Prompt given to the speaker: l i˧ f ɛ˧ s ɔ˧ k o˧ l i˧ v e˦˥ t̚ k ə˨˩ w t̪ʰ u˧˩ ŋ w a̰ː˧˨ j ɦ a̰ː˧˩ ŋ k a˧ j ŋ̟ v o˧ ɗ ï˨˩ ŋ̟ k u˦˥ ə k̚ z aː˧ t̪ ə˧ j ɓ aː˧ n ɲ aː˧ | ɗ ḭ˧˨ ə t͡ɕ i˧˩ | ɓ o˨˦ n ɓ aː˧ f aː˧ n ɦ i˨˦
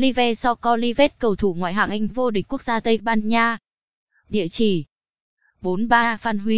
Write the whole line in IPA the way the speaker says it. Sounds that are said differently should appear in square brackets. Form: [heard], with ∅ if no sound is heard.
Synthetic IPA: l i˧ [v] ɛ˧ s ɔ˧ k [ɔ˧] l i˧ v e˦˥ t̚ k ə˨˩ w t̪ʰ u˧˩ ŋ w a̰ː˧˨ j ɦ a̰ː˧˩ ŋ [ʔ] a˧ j ŋ̟ v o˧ ɗ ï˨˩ ŋ̟ k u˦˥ ə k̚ z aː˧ t̪ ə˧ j ɓ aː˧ n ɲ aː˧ | ɗ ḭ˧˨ ə t͡ɕ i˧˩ | ɓ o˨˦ n ɓ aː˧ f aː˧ n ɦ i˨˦